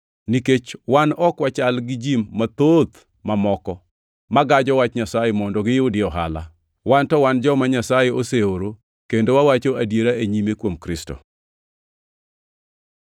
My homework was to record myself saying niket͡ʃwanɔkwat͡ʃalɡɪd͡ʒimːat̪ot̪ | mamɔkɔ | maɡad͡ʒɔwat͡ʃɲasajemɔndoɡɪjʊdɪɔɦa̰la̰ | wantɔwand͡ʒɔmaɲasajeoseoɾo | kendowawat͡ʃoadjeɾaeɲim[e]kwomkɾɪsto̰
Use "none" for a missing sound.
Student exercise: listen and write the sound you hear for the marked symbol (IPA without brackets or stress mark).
e